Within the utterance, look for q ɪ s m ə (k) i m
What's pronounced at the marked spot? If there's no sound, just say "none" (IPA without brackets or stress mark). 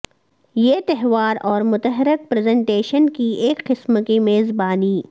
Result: k